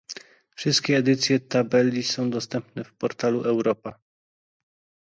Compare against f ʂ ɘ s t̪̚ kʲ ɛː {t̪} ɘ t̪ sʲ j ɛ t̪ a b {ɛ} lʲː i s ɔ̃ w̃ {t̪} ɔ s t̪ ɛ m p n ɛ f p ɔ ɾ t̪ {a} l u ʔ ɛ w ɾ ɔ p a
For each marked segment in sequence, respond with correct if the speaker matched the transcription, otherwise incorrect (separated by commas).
incorrect, correct, incorrect, correct